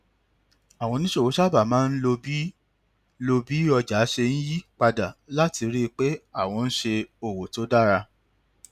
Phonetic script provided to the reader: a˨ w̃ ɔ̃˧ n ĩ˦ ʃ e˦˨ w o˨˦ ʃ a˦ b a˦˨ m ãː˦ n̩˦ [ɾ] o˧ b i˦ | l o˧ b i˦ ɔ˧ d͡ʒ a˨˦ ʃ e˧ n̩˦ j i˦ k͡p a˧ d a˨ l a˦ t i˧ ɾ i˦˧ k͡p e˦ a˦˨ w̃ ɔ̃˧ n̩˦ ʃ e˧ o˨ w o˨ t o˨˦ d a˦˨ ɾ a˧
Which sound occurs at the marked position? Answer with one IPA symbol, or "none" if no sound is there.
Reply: l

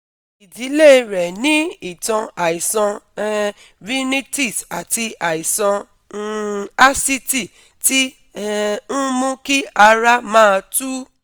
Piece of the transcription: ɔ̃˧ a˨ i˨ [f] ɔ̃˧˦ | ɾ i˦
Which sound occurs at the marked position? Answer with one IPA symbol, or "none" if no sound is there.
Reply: s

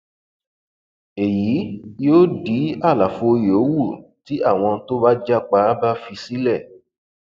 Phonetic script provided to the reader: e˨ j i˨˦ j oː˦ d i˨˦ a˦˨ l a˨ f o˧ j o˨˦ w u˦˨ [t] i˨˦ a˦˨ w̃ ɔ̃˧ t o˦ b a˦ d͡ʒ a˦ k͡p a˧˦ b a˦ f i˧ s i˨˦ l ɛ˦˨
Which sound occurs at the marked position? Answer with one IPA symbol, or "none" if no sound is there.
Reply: t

